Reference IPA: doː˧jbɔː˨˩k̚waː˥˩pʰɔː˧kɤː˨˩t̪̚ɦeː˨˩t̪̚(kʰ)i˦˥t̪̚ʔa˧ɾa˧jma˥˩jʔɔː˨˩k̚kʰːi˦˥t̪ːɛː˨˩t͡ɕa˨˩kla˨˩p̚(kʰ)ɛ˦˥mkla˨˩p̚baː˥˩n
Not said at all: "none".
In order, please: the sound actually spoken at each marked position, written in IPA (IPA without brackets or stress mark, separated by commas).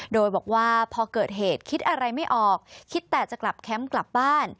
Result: kʰ, kʰ